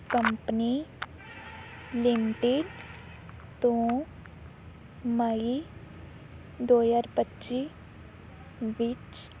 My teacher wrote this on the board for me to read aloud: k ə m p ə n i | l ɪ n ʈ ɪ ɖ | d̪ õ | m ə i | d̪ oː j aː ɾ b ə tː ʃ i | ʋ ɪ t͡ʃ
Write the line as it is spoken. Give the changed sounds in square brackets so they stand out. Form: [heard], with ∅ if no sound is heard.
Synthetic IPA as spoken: k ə m p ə n i | l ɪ [m] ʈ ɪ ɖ | [t̪] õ | m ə i | d̪ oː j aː ɾ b ə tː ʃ i | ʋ ɪ t͡ʃ